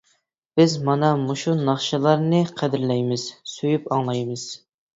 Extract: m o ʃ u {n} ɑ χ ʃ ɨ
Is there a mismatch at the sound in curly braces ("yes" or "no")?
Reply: no